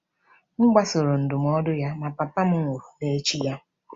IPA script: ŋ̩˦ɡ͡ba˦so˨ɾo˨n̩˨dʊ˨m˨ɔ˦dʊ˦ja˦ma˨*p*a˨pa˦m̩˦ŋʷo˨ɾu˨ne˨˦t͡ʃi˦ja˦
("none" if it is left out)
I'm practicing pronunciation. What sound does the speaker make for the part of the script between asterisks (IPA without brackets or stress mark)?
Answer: p